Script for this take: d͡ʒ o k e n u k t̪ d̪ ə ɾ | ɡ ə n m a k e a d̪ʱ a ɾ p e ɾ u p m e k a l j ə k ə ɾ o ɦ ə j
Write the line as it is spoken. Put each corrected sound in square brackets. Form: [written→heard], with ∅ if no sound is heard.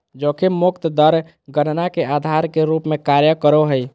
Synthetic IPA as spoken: d͡ʒ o k e [n→m] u k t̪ d̪ ə ɾ | ɡ ə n [m→n] a k e a d̪ʱ a ɾ [p→k] e ɾ u p m e k a [l→ɾ] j ə k ə ɾ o ɦ ə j